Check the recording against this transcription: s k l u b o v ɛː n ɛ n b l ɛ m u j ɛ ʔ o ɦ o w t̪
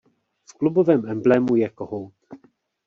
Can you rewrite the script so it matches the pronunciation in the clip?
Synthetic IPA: f k l u b o v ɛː m ɛ m b l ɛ m u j ɛ k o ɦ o w t̪